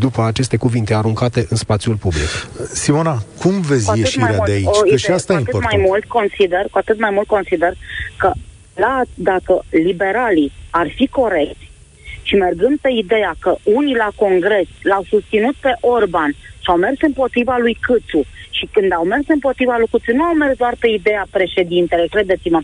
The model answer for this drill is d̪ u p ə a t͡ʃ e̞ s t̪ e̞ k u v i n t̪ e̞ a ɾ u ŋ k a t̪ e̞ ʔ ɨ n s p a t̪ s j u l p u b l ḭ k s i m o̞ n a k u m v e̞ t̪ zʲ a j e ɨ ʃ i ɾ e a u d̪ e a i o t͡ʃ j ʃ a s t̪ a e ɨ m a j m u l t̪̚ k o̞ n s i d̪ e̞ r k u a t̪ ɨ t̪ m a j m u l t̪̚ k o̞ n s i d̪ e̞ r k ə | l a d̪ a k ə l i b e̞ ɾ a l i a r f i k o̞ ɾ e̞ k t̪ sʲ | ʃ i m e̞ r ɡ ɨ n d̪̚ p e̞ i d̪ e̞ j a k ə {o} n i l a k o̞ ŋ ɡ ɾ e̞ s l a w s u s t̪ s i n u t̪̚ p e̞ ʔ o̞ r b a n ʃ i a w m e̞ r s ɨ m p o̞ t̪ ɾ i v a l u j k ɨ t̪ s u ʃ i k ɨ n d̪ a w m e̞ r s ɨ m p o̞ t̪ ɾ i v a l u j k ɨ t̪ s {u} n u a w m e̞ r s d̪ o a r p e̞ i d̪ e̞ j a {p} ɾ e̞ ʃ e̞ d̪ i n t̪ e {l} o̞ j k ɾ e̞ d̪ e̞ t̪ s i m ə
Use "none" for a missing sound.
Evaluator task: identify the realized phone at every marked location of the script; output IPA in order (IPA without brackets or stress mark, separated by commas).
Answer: u, u, p, l